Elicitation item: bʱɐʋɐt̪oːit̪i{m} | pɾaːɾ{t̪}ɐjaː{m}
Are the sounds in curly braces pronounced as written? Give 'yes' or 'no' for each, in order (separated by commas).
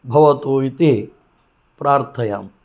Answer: no, no, yes